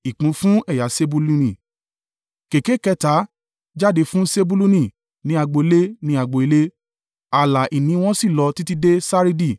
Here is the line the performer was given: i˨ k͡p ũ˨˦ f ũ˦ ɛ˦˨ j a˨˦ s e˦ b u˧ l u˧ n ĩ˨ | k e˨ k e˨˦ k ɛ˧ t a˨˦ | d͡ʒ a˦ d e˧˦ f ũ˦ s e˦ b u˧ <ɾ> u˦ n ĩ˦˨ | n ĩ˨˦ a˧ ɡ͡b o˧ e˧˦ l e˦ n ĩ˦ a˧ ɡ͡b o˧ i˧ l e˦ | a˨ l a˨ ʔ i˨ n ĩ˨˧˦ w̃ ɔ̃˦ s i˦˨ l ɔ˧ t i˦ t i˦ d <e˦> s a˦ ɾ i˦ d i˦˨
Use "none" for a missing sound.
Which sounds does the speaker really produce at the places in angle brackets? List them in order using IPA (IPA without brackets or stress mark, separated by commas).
l, e˦